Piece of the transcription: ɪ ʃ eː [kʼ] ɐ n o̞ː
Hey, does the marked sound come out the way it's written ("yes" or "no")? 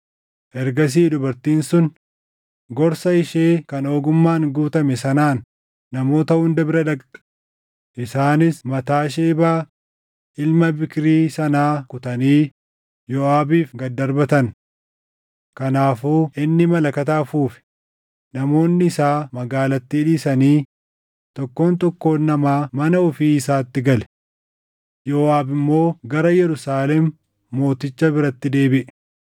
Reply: no